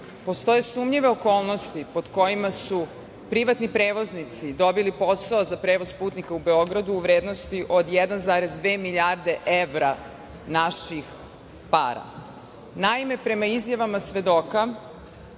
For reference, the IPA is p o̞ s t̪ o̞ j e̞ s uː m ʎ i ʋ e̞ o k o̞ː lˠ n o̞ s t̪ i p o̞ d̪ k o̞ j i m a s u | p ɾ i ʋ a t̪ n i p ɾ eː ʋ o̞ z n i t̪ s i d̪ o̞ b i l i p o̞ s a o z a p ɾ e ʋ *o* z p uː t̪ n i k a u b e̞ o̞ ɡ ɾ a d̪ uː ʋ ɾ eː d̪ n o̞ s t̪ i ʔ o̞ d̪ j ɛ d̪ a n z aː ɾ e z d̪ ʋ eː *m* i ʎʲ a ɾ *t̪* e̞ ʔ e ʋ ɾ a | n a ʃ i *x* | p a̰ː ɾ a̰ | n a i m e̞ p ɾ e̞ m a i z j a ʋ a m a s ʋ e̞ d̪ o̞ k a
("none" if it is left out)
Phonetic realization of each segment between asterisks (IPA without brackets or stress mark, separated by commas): o, m, d̪, x